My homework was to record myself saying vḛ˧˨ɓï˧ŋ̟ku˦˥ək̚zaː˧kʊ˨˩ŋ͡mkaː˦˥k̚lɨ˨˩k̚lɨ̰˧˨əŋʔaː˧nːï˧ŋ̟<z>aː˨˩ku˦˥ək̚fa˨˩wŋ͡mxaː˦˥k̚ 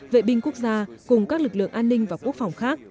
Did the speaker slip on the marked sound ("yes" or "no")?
yes